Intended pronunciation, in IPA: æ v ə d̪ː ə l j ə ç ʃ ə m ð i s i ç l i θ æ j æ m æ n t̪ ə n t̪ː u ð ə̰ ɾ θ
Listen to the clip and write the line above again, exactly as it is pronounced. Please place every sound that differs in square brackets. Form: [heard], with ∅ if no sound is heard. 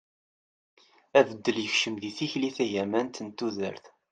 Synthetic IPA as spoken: æ v ə d̪ː ə l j ə ç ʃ ə m ð i [θ] i ç l i θ æ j æ m æ n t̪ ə n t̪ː u ð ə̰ ɾ θ